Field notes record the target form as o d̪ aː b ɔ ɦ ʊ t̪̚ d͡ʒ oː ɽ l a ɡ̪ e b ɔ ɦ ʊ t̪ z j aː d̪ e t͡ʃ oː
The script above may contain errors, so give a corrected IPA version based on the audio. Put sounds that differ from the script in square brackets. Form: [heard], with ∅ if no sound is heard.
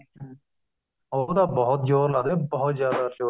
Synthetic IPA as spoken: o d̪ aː b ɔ ɦ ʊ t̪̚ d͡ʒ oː [ɾ] l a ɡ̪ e b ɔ ɦ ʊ t̪ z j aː d̪ [a] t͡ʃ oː

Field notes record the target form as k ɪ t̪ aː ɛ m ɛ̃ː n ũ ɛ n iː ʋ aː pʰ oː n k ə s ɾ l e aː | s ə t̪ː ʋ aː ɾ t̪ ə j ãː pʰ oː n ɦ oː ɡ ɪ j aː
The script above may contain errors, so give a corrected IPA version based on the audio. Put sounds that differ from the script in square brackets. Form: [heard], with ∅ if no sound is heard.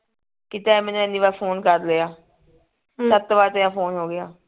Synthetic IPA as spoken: k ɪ t̪ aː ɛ m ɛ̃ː n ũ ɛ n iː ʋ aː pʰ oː n k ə [∅] ɾ l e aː | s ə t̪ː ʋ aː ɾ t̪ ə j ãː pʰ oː n ɦ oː ɡ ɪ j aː

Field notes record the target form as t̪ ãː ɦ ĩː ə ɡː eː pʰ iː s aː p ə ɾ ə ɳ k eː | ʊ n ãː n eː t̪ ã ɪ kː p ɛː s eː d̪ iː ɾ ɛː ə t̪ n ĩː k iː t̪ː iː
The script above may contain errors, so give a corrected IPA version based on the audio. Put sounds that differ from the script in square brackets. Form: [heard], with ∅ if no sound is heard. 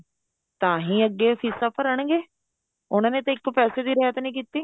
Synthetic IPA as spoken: t̪ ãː ɦ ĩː ə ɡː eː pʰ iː s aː p ə ɾ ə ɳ [ɡ] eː | ʊ n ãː n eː t̪ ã ɪ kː p ɛː s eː d̪ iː ɾ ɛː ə t̪ n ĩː k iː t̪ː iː

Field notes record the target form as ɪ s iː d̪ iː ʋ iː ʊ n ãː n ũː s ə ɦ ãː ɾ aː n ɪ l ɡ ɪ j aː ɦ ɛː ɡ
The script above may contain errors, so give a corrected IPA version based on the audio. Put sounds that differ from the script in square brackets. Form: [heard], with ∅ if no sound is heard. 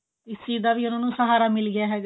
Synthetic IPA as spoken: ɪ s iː d̪ [aː] ʋ iː ʊ n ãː n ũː s ə ɦ [aː] ɾ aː [m] ɪ l ɡ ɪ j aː ɦ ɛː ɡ

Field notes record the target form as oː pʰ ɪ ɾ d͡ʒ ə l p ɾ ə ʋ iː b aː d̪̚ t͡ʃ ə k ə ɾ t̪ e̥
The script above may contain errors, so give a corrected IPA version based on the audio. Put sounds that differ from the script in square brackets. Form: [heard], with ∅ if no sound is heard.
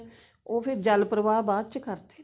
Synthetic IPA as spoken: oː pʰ ɪ ɾ d͡ʒ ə l p ɾ ə ʋ [aː] b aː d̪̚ t͡ʃ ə k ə ɾ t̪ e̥

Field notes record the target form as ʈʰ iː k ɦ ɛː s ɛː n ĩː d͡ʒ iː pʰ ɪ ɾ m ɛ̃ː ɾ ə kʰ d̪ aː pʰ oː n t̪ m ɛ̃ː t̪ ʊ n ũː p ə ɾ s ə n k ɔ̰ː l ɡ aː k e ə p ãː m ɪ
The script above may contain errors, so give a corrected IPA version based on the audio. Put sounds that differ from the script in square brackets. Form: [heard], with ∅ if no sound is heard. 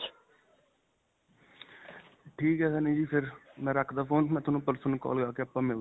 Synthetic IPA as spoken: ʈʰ iː k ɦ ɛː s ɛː n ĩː d͡ʒ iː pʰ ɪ ɾ m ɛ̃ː ɾ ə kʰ d̪ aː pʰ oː n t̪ m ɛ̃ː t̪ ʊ n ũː p ə ɾ s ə n k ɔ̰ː l ɡ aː k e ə p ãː m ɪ

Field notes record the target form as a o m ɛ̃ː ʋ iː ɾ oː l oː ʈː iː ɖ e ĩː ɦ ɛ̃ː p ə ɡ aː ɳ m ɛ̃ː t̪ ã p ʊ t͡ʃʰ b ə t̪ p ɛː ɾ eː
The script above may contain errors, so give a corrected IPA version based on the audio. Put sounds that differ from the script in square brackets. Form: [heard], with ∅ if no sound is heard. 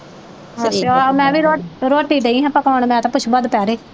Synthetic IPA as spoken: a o m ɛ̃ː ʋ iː ɾ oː [ɾ] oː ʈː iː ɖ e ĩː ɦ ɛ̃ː p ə [k] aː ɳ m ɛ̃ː t̪ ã p ʊ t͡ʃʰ b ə [d̪] p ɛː ɾ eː

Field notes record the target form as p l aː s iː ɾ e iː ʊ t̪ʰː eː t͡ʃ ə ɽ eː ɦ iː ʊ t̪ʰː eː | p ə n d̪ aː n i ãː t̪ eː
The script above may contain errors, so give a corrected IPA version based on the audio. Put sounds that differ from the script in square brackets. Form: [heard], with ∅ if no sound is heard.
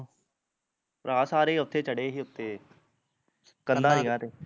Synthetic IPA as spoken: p [ɾ] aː s [aː] ɾ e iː ʊ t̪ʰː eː t͡ʃ ə ɽ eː ɦ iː ʊ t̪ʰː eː | [k] ə n d̪ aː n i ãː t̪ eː

